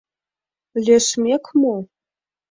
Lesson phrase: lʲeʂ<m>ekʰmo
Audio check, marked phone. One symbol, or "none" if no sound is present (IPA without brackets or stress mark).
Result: m